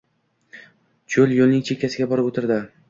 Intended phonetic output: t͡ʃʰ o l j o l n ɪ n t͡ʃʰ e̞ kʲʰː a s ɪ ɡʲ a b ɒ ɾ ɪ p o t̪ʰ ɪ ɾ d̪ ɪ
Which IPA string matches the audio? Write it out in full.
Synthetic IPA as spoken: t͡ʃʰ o l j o l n ɪ ŋ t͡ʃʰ e̞ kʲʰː a s ɪ ɡʲ a b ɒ ɾ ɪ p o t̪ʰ ɪ ɾ d̪ ɪ